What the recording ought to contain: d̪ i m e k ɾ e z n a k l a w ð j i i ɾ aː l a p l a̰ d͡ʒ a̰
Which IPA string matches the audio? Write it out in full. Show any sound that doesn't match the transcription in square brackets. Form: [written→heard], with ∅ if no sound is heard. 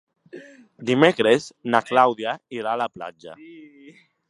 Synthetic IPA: d̪ i m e k ɾ e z n a k l a w ð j [i→a] i ɾ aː l a p l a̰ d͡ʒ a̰